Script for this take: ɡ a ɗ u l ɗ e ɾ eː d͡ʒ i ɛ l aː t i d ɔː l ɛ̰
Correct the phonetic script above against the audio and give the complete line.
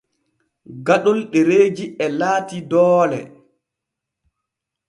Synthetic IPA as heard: ɡ a ɗ ɔ l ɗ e ɾ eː d͡ʒ i ɛ l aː t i d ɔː l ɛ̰